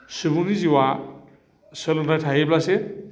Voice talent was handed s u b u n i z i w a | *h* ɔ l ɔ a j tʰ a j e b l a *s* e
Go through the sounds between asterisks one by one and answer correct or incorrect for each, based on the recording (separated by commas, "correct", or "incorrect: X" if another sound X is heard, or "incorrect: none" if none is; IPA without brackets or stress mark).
incorrect: s, correct